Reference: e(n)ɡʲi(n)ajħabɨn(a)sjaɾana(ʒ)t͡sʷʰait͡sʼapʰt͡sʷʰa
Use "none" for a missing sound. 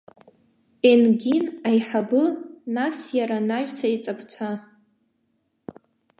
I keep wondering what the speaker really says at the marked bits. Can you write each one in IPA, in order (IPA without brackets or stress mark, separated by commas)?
n, n, a, ʒ